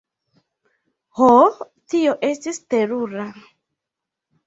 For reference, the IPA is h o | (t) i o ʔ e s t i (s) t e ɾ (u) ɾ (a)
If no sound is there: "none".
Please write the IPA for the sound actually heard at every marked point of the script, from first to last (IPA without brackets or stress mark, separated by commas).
t, s, u, a